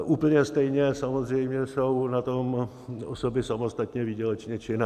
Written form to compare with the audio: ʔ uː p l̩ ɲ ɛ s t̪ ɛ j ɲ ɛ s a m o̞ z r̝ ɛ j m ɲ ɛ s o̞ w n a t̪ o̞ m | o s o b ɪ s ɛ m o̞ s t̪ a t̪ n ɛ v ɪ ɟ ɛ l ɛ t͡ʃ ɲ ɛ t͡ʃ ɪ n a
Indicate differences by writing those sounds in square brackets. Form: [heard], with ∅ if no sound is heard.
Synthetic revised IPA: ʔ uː p l̩ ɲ ɛ s t̪ ɛ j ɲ ɛ s a m o̞ z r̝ ɛ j m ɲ ɛ s o̞ w n a t̪ o̞ m | o s o b ɪ s [a] m o̞ s t̪ a t̪ [ɲ] ɛ v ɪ ɟ ɛ l ɛ t͡ʃ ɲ ɛ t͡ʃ ɪ n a